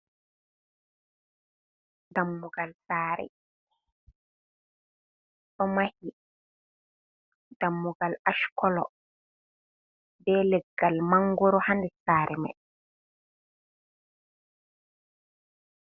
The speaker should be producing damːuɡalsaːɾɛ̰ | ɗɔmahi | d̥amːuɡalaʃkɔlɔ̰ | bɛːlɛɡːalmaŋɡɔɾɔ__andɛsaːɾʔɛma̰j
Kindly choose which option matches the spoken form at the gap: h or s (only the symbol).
h